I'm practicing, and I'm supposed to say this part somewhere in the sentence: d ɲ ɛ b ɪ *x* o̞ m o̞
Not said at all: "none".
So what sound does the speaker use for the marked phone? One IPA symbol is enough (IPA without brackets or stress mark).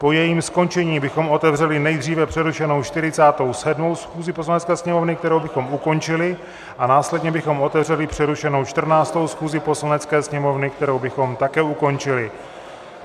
x